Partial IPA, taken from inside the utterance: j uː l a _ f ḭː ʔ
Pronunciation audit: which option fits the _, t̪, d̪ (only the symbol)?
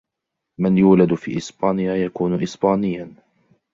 d̪